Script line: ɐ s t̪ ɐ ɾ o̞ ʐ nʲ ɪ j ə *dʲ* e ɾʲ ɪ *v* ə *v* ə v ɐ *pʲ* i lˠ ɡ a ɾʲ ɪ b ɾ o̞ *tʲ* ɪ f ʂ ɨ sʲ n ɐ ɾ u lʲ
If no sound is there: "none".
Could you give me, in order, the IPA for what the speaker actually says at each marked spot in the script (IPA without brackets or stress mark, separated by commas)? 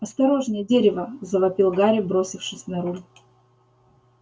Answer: dʲ, v, z, pʲ, sʲ